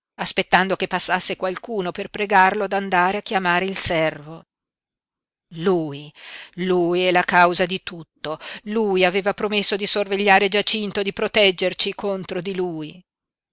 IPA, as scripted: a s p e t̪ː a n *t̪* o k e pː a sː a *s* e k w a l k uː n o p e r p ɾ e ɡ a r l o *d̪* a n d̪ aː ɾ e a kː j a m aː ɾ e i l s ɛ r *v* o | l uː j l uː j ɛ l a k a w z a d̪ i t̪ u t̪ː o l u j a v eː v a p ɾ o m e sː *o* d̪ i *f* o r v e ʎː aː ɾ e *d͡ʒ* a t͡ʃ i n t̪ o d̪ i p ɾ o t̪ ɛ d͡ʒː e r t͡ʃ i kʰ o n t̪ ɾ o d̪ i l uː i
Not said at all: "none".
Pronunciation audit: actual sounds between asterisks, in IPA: d̪, sː, d̪, v, o, s, d͡ʒ

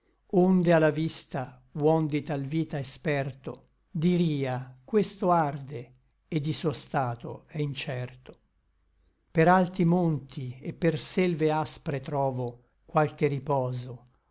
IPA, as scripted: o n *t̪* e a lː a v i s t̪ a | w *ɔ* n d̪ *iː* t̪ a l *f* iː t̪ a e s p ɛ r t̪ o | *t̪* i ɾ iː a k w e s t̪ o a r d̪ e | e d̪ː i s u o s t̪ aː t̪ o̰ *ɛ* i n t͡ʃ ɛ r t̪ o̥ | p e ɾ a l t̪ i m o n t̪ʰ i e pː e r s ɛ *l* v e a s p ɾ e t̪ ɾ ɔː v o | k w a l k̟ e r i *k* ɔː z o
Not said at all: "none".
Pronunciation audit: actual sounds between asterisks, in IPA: d̪, ɔ, i, v, d̪, ɛ, l, p

